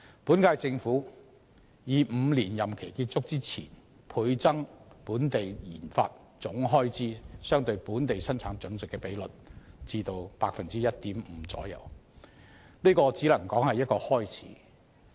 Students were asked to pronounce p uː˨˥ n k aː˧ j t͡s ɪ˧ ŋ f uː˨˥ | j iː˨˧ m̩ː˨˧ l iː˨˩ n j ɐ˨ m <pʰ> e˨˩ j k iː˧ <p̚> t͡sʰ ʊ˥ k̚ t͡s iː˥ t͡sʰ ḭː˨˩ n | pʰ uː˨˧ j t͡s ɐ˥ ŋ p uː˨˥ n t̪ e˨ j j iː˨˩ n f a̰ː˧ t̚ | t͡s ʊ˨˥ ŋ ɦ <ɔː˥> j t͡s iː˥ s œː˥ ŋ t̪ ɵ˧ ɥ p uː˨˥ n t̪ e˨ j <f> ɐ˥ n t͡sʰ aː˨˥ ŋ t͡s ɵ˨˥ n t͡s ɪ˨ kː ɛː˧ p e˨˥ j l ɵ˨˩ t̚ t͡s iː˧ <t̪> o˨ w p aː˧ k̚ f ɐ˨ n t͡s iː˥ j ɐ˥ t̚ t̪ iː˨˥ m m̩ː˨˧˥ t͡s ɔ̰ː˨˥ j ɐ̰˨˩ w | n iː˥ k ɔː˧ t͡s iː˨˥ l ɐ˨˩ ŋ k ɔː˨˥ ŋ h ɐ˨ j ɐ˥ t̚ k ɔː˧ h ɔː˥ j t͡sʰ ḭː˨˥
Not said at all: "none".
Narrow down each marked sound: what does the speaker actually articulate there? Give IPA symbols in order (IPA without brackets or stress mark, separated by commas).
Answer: kʰ, t̚, ɔː˥, s, t̪